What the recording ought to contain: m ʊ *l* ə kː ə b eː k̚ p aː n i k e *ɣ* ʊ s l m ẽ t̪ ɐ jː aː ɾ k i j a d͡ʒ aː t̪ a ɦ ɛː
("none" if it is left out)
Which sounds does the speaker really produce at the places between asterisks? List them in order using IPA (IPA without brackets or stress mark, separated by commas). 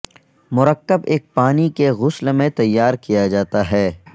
ɾ, ɣ